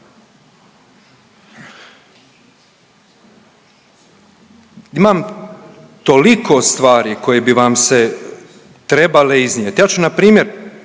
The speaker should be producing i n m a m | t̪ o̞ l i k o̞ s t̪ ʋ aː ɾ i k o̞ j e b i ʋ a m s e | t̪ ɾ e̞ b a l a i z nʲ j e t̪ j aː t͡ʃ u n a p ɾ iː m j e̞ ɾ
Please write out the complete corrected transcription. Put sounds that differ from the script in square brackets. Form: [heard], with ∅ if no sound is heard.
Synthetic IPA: i [∅] m a m | t̪ o̞ l i k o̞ s t̪ ʋ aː ɾ i k o̞ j e b i ʋ a m s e | t̪ ɾ e̞ b a l [e] i z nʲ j e t̪ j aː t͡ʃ u n a p ɾ iː m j e̞ ɾ